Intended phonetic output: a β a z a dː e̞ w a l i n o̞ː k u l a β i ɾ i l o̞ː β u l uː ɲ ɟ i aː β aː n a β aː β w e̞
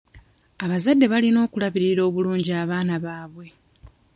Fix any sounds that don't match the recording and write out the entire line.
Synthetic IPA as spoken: a β a z a dː e̞ β a l i n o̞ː k u l a β i ɾ i ɾ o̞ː β u l uː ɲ ɟ i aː β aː n a β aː β w e̞